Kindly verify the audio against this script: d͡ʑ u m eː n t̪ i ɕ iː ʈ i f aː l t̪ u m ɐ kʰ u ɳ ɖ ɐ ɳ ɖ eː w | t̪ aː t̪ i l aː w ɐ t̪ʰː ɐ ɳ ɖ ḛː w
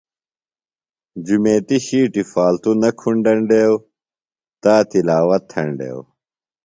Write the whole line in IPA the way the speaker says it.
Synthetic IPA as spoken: d͡ʑ u m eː t̪ i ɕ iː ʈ i f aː l t̪ u n ɐ kʰ u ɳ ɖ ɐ ɳ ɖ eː w | t̪ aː t̪ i l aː w ɐ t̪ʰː ɐ ɳ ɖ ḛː w